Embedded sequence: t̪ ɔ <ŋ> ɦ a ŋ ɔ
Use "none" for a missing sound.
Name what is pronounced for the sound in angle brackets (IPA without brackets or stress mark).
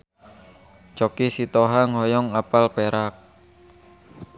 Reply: none